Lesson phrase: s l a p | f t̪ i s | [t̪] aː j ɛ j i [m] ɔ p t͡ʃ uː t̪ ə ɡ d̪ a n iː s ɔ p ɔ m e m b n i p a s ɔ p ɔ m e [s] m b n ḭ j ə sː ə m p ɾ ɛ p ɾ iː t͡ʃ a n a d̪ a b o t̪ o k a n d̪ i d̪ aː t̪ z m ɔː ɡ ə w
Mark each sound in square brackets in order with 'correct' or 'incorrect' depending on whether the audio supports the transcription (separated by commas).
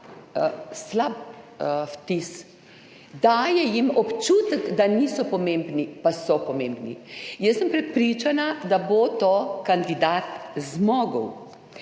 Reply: incorrect, correct, incorrect